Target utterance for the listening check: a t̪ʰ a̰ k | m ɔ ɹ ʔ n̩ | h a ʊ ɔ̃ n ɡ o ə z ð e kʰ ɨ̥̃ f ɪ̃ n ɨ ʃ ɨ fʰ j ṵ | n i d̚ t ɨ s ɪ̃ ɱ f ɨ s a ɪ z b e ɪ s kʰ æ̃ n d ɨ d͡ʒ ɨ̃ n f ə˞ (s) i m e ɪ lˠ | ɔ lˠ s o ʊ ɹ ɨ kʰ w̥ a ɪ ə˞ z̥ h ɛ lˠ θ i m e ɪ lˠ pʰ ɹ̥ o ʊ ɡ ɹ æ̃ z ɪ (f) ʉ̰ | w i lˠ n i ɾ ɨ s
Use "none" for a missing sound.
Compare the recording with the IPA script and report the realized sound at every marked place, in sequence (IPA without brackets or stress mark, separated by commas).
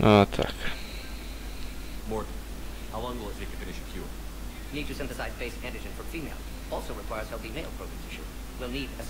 f, ʃ